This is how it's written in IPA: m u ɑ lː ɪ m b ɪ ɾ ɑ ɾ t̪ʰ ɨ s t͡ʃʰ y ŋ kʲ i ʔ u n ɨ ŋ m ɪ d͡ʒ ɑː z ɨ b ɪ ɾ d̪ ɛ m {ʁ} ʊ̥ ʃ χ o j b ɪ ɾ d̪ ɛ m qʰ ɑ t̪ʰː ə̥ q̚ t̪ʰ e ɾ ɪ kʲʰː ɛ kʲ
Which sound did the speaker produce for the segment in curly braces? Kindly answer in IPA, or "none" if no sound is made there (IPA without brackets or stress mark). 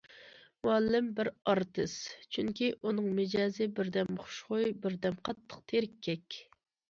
χ